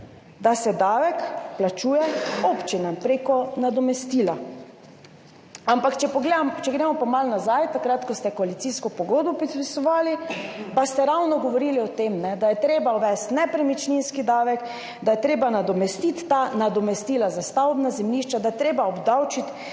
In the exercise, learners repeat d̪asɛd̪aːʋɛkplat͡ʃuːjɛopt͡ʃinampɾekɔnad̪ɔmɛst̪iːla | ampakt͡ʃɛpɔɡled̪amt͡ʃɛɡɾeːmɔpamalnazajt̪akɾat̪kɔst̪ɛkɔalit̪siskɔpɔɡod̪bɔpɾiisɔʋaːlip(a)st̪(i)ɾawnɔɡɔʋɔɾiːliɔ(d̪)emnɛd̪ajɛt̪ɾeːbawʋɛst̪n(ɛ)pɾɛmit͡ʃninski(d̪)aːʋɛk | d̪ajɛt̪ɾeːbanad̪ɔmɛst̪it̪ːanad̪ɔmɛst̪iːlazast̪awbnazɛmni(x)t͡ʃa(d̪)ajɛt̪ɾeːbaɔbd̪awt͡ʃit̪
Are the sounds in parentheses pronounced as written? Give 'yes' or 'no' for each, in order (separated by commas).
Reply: yes, no, no, yes, yes, no, yes